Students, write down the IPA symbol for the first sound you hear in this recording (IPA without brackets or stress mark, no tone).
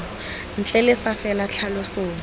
n̩